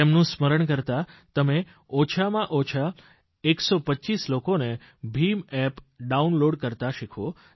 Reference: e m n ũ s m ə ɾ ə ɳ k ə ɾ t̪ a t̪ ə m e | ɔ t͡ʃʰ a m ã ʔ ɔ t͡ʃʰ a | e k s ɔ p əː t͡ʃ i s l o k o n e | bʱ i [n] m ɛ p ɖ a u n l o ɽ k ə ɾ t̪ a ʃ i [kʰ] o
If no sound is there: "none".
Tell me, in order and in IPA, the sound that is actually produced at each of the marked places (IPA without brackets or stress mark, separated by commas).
none, kʰ